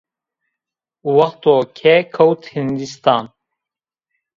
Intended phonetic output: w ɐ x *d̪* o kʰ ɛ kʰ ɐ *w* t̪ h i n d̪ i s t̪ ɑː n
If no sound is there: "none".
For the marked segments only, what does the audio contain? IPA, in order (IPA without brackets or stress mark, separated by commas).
t̪, w